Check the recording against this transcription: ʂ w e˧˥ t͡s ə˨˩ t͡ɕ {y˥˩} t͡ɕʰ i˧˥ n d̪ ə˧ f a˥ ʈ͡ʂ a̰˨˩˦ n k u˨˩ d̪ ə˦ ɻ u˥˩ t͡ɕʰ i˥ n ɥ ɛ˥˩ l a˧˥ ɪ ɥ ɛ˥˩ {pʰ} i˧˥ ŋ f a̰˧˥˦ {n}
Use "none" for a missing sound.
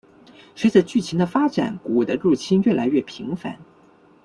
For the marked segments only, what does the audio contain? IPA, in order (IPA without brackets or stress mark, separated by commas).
y˥˩, pʰ, n